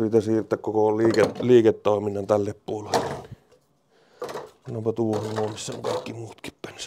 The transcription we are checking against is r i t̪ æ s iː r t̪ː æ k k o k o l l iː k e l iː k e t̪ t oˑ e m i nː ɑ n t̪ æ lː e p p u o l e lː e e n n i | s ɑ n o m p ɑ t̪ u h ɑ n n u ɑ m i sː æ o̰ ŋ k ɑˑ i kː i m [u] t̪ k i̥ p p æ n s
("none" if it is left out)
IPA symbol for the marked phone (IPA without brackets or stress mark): uː